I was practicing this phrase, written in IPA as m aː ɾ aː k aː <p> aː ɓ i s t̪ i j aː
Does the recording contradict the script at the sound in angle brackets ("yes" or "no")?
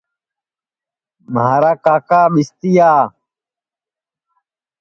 yes